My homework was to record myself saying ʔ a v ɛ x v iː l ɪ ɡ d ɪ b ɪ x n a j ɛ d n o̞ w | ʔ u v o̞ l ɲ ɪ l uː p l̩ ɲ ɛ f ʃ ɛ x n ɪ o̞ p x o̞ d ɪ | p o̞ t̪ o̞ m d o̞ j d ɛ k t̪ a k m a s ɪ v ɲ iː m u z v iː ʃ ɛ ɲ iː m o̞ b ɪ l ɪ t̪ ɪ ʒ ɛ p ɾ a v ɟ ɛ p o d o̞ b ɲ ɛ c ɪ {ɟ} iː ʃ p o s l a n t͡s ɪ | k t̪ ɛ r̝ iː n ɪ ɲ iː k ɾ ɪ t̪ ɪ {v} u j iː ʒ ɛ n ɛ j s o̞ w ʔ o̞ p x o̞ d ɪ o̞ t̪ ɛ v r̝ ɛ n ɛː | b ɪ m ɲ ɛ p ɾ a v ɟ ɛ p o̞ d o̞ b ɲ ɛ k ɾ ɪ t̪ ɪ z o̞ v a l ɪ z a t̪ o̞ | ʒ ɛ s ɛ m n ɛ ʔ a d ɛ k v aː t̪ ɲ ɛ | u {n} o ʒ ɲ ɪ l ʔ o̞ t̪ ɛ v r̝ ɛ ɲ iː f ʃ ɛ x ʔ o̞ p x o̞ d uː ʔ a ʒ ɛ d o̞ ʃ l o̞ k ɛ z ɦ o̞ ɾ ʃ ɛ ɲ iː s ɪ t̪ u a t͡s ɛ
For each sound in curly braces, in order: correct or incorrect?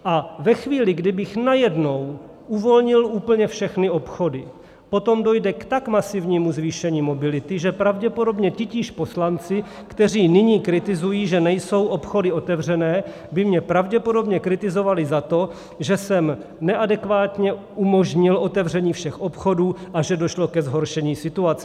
incorrect: c, incorrect: z, incorrect: m

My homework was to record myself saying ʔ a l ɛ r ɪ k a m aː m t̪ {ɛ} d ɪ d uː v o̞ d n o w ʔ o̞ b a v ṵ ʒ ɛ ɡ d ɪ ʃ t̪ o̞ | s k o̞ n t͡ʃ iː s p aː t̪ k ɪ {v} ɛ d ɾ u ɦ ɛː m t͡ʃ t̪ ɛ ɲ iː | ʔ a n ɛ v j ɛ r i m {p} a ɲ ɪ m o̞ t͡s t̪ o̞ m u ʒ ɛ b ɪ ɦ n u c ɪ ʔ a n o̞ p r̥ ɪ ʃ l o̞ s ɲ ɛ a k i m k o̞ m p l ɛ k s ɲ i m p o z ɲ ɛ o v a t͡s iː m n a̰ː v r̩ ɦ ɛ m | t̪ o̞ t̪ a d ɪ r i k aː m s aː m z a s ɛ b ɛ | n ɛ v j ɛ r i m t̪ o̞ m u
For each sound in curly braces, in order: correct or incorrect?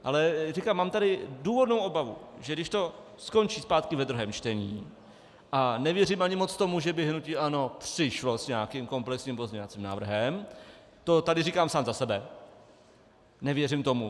incorrect: a, correct, incorrect: ʔ

